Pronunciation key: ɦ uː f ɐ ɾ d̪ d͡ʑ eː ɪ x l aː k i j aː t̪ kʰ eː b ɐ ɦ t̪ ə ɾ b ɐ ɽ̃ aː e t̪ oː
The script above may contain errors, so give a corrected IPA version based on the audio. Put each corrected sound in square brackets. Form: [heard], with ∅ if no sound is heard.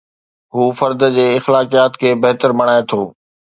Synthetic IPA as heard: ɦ uː f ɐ ɾ d̪ d͡ʑ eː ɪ x l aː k i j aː t̪ kʰ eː b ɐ ɦ t̪ ə ɾ [m] ɐ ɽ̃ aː e [t̪ʰ] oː